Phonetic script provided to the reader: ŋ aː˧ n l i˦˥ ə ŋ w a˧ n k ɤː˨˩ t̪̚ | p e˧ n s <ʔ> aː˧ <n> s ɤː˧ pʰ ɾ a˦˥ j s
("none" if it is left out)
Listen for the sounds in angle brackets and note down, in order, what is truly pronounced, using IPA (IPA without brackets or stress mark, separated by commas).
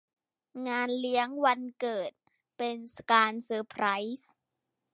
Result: k, n